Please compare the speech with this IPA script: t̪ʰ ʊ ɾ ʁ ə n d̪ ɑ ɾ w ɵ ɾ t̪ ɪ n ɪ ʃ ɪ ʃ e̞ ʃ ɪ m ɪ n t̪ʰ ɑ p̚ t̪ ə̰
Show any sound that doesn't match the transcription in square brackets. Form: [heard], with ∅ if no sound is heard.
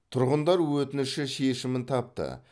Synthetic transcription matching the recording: t̪ʰ ʊ ɾ ʁ ə n d̪ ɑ ɾ w ɵ [∅] t̪ ɪ n ɪ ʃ ɪ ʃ e̞ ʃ ɪ m ɪ n t̪ʰ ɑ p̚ t̪ ə̰